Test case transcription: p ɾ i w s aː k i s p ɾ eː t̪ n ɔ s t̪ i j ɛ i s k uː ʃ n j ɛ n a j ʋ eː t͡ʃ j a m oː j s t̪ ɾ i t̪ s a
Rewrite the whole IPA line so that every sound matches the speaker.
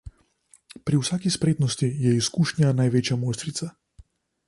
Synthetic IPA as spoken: p ɾ i w s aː k i s p ɾ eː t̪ n ɔ s t̪ i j ɛ i s k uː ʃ n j a n a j ʋ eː t͡ʃ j a m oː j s t̪ ɾ i t̪ s a